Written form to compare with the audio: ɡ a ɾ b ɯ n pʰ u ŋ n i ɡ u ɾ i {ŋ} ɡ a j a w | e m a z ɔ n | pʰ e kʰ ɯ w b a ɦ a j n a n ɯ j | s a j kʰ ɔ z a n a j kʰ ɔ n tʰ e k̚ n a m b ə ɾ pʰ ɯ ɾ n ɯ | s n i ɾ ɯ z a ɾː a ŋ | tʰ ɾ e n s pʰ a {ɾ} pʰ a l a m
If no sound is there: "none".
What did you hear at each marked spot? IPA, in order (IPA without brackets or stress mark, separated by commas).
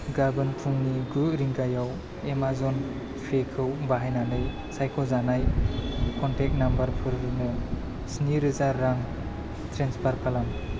ŋ, ɾ